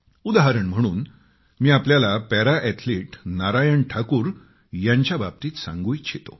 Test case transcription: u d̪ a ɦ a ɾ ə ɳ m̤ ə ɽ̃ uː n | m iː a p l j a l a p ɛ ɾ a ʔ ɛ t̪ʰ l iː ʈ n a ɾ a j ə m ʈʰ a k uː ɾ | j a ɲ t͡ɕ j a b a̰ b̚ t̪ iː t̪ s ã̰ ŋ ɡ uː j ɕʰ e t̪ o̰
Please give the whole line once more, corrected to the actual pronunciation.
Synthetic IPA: u d̪ a ɦ a ɾ ə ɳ m̤ ə ɽ̃ uː n | m iː a p l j a l a p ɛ ɾ a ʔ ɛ t̪ʰ l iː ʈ n a ɾ a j ə ɳ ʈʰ a k uː ɾ | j a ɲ t͡ɕ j a b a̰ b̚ t̪ iː t̪ s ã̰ ŋ ɡ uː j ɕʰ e t̪ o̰